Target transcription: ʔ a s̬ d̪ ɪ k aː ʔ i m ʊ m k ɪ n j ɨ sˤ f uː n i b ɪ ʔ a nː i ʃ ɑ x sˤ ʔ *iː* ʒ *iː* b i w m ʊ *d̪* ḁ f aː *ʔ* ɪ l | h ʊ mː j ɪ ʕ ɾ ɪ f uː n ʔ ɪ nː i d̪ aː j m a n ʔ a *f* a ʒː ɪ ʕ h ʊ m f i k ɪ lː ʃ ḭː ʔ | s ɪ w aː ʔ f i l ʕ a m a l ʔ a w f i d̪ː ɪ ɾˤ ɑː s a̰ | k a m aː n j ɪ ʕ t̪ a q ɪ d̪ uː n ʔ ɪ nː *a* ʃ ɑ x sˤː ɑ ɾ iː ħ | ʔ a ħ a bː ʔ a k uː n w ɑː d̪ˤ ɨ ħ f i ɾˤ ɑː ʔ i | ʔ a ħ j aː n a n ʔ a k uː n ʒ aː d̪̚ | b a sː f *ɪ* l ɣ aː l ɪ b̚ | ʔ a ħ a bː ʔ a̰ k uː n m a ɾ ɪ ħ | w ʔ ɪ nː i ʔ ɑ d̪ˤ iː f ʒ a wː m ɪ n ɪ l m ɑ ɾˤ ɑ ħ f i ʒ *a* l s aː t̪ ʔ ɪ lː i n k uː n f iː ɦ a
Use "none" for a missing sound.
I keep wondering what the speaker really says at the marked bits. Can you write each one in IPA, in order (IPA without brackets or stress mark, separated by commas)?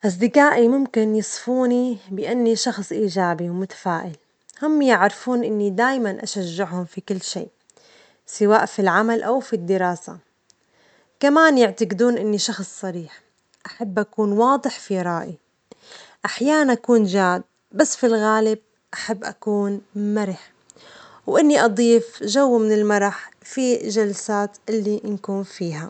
iː, aː, t̪, ʔ, ʃ, i, i, a